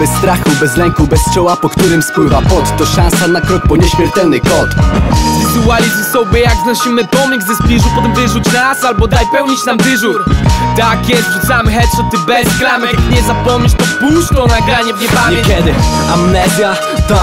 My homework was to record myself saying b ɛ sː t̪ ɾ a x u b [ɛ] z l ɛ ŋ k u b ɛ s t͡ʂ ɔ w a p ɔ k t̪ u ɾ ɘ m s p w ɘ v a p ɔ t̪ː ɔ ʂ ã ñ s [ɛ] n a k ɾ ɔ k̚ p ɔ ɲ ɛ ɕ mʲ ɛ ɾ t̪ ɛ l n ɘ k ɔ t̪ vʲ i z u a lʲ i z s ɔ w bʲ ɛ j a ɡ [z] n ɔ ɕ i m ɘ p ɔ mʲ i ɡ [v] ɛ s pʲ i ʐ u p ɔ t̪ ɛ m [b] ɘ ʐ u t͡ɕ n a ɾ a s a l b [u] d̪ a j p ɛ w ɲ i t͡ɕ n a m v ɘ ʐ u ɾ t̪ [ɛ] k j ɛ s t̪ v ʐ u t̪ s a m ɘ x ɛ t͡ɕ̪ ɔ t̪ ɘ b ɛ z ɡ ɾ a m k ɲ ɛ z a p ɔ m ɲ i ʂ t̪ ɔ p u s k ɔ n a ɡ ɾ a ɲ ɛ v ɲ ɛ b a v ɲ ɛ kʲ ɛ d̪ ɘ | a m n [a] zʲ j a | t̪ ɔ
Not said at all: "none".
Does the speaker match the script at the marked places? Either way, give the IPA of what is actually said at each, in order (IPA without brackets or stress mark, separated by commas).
ɛ, a, z, z, v, ɔ, a, ɛ